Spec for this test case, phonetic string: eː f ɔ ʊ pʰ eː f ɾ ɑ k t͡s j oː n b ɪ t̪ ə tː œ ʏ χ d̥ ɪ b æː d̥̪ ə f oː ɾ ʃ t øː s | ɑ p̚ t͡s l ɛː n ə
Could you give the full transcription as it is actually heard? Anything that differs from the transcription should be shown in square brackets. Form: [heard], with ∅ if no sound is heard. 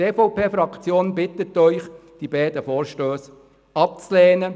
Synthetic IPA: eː f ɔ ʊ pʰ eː f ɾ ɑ k t͡s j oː n b ɪ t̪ ə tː œ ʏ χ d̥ [i] b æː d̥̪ ə f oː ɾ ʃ t øː s | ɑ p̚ t͡s l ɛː n ə